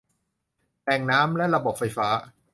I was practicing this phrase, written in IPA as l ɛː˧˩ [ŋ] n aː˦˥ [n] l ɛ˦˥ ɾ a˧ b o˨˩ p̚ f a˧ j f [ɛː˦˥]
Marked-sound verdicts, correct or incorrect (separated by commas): correct, incorrect, incorrect